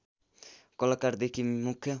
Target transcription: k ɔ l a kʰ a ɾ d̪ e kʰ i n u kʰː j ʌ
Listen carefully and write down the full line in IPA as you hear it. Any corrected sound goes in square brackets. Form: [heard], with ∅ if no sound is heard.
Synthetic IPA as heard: k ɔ l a [k] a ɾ d̪ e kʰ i [m] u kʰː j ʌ